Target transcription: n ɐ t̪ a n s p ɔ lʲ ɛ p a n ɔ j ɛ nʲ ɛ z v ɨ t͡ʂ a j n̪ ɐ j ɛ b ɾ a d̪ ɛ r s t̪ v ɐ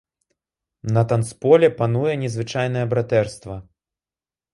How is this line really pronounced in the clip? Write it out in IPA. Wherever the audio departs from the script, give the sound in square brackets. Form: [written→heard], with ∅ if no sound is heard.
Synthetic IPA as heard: n ɐ t̪ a n s p ɔ lʲ ɛ p a n [ɔ→u] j ɛ nʲ ɛ z v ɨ t͡ʂ a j n̪ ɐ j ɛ b ɾ a [d̪→t̪] ɛ r s t̪ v ɐ